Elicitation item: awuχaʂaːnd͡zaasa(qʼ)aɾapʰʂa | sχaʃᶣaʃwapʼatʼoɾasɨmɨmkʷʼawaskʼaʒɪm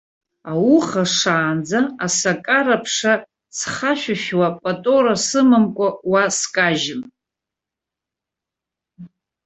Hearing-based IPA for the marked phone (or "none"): kʼ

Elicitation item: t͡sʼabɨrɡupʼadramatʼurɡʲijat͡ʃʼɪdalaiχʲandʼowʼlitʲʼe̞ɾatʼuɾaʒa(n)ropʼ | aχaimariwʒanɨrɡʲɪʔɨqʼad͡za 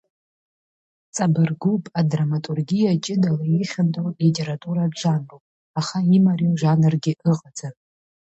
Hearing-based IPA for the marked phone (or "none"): n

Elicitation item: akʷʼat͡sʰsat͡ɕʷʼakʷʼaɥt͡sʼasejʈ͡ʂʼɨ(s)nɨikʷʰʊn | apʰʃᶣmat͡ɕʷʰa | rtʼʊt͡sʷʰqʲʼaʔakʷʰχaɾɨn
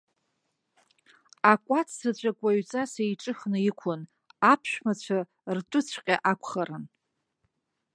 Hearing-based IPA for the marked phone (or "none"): χ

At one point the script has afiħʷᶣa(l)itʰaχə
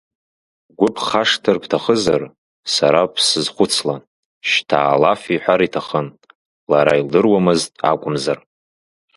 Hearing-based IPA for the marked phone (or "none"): ɾ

